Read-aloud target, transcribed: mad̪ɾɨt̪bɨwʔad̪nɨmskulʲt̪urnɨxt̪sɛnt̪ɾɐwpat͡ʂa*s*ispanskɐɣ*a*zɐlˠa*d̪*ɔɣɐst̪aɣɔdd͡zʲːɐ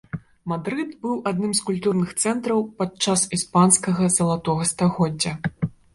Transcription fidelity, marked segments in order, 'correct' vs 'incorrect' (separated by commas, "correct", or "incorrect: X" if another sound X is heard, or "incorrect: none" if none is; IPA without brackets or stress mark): correct, incorrect: ɐ, incorrect: t̪